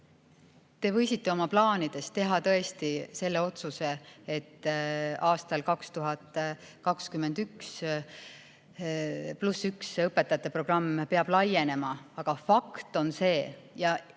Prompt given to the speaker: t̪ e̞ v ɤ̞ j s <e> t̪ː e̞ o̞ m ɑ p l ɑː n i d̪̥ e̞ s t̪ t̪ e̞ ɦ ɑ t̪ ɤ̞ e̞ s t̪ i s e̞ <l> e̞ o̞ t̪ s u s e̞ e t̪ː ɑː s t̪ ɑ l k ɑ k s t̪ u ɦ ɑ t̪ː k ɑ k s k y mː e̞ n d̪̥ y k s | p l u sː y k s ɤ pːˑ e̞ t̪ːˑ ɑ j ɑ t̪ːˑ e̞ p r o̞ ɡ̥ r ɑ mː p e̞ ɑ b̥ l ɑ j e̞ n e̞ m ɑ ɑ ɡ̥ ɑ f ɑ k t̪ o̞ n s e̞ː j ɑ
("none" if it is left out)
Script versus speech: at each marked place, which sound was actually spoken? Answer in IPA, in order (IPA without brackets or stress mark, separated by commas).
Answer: i, lː